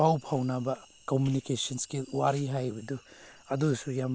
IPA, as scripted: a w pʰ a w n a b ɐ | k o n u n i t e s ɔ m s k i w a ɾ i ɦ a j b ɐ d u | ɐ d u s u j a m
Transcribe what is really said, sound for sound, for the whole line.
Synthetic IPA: a w pʰ a w n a b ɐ | k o m u n i k e s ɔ n s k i w a ɾ i ɦ a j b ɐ d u | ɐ d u s u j a m

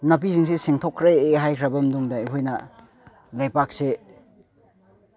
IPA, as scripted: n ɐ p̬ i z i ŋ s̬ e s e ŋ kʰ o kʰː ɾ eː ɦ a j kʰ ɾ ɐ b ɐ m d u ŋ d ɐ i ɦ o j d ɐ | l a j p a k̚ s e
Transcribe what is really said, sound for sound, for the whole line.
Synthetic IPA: n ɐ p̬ i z i ŋ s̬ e s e ŋ tʰ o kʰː ɾ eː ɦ a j kʰ ɾ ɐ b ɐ m d u ŋ d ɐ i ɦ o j n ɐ | l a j p a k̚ s e

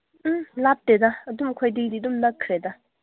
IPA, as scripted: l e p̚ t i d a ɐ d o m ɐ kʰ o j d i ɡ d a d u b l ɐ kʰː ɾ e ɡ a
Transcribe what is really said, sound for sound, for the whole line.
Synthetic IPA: l a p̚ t e d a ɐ d u m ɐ kʰ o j d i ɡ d i d u m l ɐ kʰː ɾ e d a

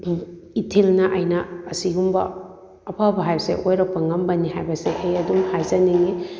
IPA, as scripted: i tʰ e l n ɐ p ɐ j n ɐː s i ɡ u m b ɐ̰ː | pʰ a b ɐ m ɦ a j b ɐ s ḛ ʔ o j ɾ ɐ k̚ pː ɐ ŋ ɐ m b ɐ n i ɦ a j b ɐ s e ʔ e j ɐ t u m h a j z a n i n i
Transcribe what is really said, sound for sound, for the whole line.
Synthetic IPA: i tʰ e l n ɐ ʔ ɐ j n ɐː s i ɡ u m b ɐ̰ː | pʰ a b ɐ ɦ a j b ɐ s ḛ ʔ o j ɾ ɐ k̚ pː ɐ ŋ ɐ m b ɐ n i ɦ a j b ɐ s e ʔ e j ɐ d u m h a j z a n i ŋ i

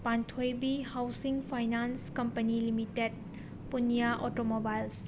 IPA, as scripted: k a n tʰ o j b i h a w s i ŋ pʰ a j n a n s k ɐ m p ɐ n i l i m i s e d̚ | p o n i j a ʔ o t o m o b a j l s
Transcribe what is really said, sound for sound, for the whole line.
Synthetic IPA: p a n tʰ o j b i h a w s i ŋ pʰ a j n a n s k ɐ m p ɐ n i l i m i t e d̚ | p u n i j a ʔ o t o m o b a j l s

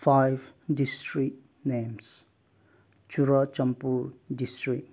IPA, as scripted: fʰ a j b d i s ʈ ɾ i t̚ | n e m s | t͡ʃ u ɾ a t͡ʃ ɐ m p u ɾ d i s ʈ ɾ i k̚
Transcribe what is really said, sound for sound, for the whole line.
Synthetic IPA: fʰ a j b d i s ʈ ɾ i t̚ | n e m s | t͡ʃ u ɾ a t͡ʃ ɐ m p u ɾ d i s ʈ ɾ i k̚

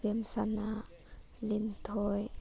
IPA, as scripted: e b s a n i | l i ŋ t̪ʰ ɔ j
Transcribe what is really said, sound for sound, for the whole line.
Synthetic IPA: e m s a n a | l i n t̪ʰ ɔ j

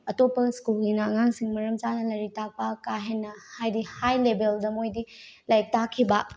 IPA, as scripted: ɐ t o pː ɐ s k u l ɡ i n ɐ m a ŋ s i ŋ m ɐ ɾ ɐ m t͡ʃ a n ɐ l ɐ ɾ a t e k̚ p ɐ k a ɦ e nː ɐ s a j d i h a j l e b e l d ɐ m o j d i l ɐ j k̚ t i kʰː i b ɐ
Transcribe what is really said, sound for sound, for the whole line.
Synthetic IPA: ɐ t o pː ɐ s k u l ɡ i n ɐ ŋ a ŋ s i ŋ m ɐ ɾ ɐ m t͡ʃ a n ɐ l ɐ ɾ i t a k̚ p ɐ k a ɦ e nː ɐ h a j d i h a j l e b e l d ɐ m o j d i l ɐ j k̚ t a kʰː i b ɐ

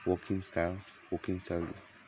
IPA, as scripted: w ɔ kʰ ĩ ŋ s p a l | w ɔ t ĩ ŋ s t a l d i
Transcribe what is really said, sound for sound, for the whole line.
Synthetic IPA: w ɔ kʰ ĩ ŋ s t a l | w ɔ k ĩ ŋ s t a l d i

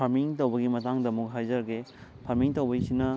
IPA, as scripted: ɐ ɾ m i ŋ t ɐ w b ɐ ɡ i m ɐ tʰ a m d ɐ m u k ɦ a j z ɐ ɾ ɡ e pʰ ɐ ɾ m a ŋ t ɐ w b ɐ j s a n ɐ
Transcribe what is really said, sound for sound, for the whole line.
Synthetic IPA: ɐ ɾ m i ŋ t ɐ w b ɐ ɡ i m ɐ t a ŋ d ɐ m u k ɦ a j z ɐ ɾ ɡ e pʰ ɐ ɾ m i ŋ t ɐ w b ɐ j s i n ɐ

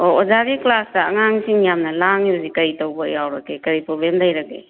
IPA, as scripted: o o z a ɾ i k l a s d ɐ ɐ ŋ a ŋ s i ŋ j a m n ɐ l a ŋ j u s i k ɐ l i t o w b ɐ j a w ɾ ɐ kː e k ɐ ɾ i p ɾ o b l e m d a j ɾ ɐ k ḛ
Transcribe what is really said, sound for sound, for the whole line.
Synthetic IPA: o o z a ɾ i k l a s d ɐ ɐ ŋ a ŋ s i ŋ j a m n ɐ l a ŋ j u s i k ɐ ɾ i t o w b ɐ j a w ɾ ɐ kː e k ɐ ɾ i p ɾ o b l e m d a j ɾ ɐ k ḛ

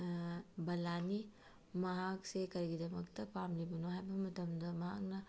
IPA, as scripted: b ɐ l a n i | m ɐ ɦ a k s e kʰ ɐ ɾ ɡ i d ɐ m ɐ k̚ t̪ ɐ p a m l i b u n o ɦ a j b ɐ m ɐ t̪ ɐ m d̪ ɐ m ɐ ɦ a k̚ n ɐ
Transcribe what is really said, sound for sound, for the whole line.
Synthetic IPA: b ɐ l a n i | m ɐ ɦ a k s e k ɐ ɾ ɡ i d ɐ m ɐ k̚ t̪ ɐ p a m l i b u n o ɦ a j b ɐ m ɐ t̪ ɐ m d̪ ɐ m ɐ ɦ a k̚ n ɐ

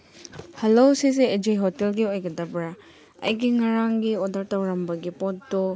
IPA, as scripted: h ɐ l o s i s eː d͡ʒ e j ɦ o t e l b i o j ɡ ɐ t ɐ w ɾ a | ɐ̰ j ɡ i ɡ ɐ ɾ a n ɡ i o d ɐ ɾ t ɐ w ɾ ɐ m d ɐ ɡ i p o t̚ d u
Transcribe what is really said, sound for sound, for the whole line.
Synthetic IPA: h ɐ l o s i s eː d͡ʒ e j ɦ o t e l ɡ i o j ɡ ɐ d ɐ b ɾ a | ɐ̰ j ɡ i ŋ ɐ ɾ a ŋ ɡ i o d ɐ ɾ t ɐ w ɾ ɐ m b ɐ ɡ i p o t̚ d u

